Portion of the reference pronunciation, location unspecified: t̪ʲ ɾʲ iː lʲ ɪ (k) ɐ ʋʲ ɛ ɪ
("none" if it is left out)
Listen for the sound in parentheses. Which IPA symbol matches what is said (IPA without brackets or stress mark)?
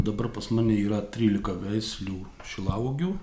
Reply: k